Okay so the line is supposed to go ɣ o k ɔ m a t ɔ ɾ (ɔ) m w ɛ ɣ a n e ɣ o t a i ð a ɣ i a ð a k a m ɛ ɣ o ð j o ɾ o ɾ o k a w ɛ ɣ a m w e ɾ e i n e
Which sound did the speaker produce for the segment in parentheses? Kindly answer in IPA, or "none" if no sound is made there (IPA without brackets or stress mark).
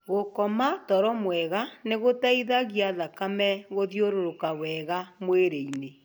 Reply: ɔ